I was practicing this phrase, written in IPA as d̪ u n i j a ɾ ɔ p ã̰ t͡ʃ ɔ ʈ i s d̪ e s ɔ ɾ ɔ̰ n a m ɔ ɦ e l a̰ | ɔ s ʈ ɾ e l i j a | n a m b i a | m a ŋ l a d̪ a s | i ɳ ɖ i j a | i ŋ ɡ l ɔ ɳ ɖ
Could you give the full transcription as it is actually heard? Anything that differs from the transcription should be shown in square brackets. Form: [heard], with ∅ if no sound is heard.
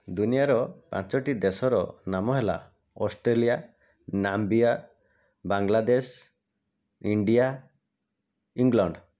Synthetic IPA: d̪ u n i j a ɾ ɔ p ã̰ t͡ʃ ɔ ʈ i [∅] d̪ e s ɔ ɾ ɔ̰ n a m ɔ ɦ e l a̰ | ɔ s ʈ ɾ e l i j a | n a m b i a | [b] a ŋ l a d̪ [e] s | i ɳ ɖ i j a | i ŋ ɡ l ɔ ɳ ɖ